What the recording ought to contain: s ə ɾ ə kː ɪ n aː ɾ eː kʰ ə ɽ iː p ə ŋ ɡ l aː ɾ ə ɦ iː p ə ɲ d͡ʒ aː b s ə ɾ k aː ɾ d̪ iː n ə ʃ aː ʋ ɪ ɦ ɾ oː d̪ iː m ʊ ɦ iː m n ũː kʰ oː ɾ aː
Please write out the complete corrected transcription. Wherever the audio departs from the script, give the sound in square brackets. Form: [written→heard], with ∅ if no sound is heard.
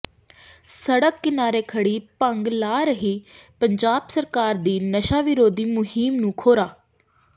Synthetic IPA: s ə [ɾ→ɽ] ə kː ɪ n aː ɾ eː kʰ ə ɽ iː p ə ŋ ɡ l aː ɾ ə ɦ iː p ə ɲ d͡ʒ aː b s ə ɾ k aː ɾ d̪ iː n ə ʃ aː ʋ ɪ [ɦ→∅] ɾ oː d̪ iː m ʊ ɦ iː m n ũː kʰ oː ɾ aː